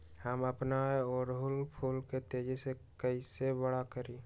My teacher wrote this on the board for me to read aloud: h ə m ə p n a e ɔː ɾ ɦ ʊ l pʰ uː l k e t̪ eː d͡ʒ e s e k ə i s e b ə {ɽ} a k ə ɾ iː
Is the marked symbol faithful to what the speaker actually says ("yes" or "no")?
yes